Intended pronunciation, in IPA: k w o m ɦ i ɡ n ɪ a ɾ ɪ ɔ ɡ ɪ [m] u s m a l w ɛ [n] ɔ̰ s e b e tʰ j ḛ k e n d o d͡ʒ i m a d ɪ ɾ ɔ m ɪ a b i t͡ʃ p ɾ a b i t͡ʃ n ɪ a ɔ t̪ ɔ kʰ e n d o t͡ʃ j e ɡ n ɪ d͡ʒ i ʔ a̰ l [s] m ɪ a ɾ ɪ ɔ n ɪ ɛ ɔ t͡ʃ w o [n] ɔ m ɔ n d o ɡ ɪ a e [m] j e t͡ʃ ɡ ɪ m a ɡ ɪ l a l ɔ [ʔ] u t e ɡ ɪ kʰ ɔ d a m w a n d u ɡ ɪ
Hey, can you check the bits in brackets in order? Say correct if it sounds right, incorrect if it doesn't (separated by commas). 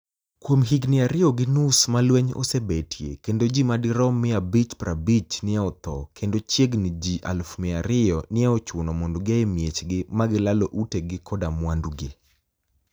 incorrect, incorrect, incorrect, correct, correct, correct